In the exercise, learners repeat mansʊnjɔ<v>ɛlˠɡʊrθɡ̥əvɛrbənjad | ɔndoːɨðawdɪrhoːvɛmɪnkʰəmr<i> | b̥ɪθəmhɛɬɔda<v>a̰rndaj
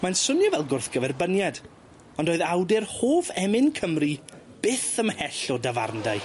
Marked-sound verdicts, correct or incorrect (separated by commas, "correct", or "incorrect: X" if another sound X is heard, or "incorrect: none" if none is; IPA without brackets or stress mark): correct, correct, correct